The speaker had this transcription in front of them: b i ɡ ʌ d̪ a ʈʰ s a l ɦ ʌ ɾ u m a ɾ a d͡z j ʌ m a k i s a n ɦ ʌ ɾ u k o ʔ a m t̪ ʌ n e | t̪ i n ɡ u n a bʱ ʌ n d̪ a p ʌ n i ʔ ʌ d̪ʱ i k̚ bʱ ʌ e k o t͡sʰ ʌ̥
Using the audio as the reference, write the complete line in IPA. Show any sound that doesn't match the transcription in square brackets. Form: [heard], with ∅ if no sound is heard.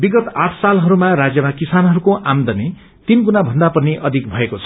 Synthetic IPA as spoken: b i ɡ ʌ [t̪] a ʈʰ s a l ɦ ʌ ɾ u m a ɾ a d͡z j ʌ m a k i s a n ɦ ʌ ɾ u k o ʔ a m [d̪] ʌ n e | t̪ i n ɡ u n a bʱ ʌ n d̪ a p ʌ n i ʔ ʌ d̪ʱ i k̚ bʱ ʌ e k o t͡sʰ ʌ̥